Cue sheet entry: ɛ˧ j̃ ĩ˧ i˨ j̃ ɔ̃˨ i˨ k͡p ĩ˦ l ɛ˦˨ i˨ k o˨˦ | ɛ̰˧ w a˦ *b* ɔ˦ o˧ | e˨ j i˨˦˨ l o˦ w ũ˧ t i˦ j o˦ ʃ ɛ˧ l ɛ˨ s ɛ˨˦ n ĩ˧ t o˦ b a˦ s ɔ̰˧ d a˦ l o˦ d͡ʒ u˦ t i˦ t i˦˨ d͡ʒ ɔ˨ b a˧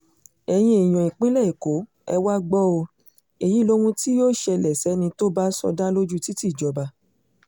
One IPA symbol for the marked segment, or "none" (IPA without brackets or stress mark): ɡ͡b